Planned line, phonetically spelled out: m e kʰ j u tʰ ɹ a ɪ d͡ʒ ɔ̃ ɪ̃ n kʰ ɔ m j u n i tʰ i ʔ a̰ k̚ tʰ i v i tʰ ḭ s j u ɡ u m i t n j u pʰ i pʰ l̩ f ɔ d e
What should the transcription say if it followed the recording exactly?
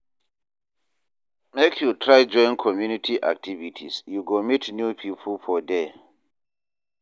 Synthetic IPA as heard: m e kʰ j u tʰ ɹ a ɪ d͡ʒ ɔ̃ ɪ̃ n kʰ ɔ m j u n i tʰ i ʔ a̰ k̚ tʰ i v i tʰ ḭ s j u ɡ o m i t n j u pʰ i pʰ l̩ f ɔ d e